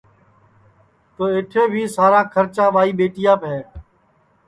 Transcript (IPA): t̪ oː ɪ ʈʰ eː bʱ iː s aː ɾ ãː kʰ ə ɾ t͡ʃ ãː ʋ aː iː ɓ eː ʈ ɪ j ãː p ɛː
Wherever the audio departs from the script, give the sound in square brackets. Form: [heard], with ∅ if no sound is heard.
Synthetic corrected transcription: t̪ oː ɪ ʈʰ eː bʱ iː s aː ɾ ãː kʰ ə ɾ t͡ʃ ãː ʋ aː iː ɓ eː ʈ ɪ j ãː p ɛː